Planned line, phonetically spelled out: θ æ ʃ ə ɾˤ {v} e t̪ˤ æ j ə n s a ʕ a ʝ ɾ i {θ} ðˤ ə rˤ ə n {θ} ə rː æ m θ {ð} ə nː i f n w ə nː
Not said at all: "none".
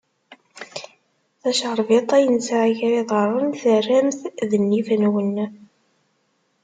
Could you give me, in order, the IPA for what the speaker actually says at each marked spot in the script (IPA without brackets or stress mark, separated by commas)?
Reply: v, none, θ, ð